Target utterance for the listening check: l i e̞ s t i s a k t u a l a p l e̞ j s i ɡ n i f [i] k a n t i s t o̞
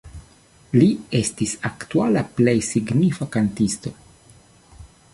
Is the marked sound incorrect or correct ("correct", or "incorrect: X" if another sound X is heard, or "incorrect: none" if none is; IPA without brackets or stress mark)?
incorrect: a